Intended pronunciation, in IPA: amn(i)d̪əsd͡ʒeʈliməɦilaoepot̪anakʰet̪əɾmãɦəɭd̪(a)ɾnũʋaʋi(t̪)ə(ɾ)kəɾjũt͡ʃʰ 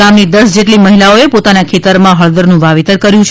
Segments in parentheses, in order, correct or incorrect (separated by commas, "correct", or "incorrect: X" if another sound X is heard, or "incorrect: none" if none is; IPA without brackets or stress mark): correct, incorrect: ə, correct, correct